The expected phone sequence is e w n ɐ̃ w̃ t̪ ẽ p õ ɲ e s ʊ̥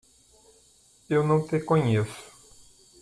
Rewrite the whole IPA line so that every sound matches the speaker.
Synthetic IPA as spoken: e w n ɐ̃ w̃ t̪ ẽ k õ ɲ e s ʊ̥